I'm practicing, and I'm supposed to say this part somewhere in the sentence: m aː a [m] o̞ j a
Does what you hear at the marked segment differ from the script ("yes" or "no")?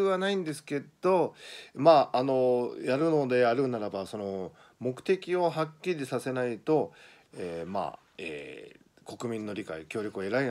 yes